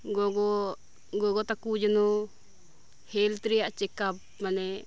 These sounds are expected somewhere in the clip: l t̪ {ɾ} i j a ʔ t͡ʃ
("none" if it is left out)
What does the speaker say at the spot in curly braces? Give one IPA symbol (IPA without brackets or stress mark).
ɾ